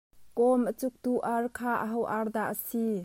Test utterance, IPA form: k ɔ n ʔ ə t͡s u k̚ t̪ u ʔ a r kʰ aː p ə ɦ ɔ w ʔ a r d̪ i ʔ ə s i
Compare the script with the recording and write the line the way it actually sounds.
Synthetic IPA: k ɔ m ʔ ə t͡s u k̚ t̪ u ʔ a r kʰ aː ʔ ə ɦ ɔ w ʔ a r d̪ a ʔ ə s i

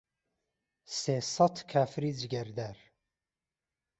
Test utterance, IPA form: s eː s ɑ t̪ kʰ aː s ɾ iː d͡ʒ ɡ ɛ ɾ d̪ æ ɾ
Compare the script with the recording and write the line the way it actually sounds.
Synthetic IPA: s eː s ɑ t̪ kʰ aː f ɾ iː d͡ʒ ɡ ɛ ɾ d̪ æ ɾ

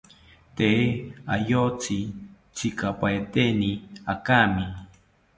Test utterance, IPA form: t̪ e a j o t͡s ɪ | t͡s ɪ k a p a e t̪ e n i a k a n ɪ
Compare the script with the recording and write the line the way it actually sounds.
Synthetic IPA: t̪ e a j o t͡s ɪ | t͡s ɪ k a p a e t̪ e n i a k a m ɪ

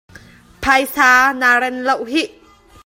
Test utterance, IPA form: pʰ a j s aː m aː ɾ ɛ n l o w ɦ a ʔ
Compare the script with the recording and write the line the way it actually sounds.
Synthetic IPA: pʰ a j s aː n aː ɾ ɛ n l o w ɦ i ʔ

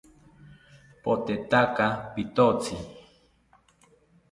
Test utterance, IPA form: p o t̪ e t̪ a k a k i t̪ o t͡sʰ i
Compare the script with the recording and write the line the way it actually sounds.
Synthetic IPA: p o t̪ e t̪ a k a p i t̪ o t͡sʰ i

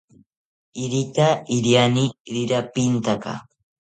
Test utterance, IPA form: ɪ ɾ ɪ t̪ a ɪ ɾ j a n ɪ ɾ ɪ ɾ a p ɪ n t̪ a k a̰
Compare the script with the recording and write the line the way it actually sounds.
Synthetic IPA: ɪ ɾ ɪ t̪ a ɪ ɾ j a n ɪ ɾ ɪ ɾ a p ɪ n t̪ a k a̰

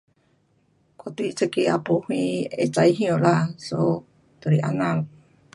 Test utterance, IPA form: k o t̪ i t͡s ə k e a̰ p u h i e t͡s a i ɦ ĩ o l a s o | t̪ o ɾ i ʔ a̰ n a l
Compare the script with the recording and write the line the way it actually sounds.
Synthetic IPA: k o t̪ i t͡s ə k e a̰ p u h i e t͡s a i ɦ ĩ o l a s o | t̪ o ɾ i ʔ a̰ n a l

